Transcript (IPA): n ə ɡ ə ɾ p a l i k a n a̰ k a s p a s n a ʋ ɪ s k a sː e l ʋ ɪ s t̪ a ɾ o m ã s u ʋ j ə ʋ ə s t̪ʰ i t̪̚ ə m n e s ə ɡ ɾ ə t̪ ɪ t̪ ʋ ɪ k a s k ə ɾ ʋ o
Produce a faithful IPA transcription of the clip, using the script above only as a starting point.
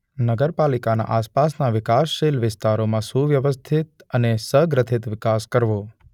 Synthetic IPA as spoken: n ə ɡ ə ɾ p a l i k a n a̰ ʔ a s p a s n a ʋ ɪ k a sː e l ʋ ɪ s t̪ a ɾ o m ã s u ʋ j ə ʋ ə s t̪ʰ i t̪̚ ə n e s ə ɡ ɾ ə t̪ʰ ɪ t̪ ʋ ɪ k a s k ə ɾ ʋ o

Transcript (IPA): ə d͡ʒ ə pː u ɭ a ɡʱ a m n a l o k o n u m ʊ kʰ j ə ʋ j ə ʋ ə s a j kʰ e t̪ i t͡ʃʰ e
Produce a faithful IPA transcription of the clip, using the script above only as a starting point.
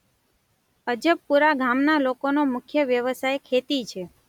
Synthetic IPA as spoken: ə d͡ʒ ə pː u ɾ a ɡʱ a m n a l o k o n o m ʊ kʰ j ə ʋ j ə ʋ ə s a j kʰ e t̪ i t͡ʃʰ e

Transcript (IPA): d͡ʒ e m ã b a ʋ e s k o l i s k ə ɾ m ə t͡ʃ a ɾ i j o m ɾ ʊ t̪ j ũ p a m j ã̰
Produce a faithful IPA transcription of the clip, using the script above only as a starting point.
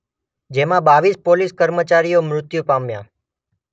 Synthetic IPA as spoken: d͡ʒ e m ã b a ʋ i s p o l i s k ə ɾ m ə t͡ʃ a ɾ i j o m ɾ ʊ t̪ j u p a m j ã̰

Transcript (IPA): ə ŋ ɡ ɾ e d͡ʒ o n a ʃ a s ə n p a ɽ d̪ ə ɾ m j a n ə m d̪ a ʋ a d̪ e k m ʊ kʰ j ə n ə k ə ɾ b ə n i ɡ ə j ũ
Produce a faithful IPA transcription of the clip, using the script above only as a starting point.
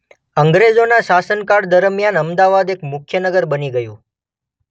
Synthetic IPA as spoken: ə ŋ ɡ ɾ e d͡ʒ o n a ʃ a s ə n k a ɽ d̪ ə ɾ m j a n ə m d̪ a ʋ a d̪ e k m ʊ kʰ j ə n ə ɡ ə ɾ b ə n i ɡ ə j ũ

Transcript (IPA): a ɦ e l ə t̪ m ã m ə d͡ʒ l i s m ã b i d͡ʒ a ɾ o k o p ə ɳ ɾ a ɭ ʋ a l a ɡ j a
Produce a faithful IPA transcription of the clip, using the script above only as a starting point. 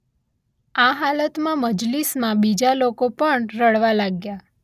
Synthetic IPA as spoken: a ɦ a l ə t̪ m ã m ə d͡ʒ l i s m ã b i d͡ʒ a l o k o p ə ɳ ɾ ə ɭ ʋ a l a ɡ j a

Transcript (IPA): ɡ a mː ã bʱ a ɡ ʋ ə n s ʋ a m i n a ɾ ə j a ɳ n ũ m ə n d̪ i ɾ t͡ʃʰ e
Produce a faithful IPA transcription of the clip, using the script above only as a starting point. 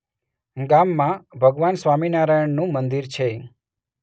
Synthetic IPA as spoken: ɡ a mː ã bʱ ə ɡ ʋ a n s ʋ a m i n a ɾ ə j ə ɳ n ũ m ə n d̪ i ɾ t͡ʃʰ e

